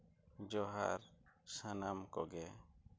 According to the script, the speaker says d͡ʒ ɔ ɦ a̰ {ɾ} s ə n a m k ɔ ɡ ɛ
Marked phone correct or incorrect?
correct